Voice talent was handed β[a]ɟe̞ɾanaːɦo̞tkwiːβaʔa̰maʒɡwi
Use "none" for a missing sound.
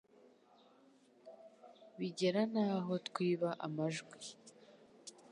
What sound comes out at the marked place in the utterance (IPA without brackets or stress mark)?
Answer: i